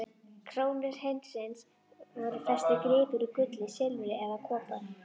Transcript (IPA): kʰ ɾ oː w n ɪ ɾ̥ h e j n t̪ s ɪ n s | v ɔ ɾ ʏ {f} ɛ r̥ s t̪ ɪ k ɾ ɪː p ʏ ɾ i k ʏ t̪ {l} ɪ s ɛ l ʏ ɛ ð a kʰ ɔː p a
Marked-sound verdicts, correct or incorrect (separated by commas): correct, correct